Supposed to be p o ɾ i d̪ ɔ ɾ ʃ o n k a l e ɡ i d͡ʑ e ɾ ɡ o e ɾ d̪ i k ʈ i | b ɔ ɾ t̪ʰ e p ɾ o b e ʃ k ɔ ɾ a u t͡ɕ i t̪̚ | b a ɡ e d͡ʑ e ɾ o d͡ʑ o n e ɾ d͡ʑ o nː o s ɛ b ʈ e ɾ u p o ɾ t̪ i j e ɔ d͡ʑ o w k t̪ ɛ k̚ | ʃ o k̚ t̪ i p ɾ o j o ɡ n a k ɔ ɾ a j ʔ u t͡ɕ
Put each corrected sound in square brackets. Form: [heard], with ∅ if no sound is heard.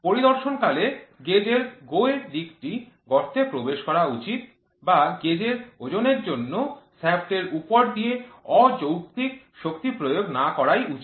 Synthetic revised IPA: p o ɾ i d̪ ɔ ɾ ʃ o n k a l e ɡ [e] d͡ʑ e ɾ ɡ o e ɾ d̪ i k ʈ i | [ɡ] ɔ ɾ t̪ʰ e p ɾ o b e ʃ k ɔ ɾ a u t͡ɕ i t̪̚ | b a ɡ e d͡ʑ e ɾ o d͡ʑ o n e ɾ d͡ʑ o nː o s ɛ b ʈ e ɾ u p o ɾ [d̪] i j e ɔ d͡ʑ o w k t̪ [i] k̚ | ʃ o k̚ t̪ i p ɾ o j o ɡ n a k ɔ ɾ a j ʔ u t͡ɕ